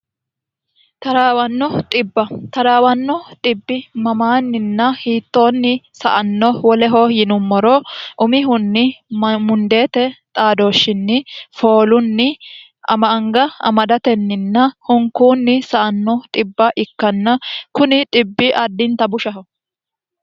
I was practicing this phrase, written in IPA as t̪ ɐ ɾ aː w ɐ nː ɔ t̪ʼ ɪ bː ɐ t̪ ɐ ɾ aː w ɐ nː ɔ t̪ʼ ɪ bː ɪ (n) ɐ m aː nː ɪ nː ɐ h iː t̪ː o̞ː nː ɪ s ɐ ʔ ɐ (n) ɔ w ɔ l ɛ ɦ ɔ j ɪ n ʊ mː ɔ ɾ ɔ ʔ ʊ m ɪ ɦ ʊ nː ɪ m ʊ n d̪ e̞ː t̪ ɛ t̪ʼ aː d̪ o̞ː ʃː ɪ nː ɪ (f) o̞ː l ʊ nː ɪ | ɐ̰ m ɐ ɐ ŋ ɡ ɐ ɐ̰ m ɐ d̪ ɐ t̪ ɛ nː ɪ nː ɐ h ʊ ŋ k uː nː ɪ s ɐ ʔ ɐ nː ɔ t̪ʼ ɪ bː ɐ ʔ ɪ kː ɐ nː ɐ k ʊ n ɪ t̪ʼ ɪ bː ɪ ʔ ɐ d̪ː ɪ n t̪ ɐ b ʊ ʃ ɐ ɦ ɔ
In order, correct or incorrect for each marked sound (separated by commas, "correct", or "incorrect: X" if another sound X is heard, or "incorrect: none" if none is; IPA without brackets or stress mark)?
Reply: incorrect: m, incorrect: nː, correct